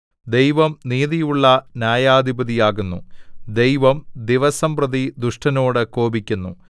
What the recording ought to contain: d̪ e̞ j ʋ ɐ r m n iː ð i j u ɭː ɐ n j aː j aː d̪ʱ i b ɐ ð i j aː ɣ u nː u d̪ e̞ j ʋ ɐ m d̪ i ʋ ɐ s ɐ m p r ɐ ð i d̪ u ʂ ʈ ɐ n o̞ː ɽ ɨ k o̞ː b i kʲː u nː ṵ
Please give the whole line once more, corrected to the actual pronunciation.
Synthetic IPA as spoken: d̪ e̞ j ʋ ɐ m n iː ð i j u ɭː ɐ n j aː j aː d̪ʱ i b ɐ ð i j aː ɣ u nː u d̪ e̞ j ʋ ɐ m d̪ i ʋ ɐ s ɐ m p r ɐ ð i d̪ u ʂ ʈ ɐ n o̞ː ɽ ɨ k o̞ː b i kʲː u nː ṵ